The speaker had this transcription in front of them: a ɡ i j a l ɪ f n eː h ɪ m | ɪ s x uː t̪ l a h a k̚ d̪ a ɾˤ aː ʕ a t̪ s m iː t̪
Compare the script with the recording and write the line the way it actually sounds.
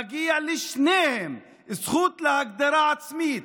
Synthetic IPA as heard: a ɡ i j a l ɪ ʃ n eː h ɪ m | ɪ s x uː t̪ l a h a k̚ d̪ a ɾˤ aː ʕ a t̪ s m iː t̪